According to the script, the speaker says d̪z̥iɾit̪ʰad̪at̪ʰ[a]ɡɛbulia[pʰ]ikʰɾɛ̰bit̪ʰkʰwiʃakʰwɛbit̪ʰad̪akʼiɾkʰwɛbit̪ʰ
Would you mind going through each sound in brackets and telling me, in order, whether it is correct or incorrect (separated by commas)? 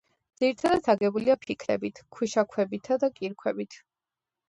correct, correct